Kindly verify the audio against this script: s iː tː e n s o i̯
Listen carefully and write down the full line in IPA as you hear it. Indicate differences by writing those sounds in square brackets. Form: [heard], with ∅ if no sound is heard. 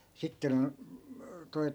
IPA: s [i] tː e n [t] o i̯